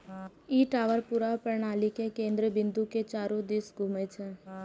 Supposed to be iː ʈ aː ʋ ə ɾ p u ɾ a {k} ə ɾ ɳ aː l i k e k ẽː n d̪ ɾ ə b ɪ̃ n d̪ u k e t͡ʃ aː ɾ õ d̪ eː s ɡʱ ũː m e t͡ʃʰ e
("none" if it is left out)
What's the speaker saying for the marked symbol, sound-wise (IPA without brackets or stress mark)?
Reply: p